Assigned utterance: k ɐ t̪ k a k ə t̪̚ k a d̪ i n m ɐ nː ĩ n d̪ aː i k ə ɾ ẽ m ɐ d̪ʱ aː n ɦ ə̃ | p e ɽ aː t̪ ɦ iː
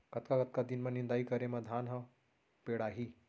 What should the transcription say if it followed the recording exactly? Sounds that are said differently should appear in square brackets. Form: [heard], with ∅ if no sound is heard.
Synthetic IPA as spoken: k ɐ t̪ k a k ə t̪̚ k a d̪ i n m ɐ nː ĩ n d̪ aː i k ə ɾ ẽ m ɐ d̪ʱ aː n ɦ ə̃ | p e ɽ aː [∅] ɦ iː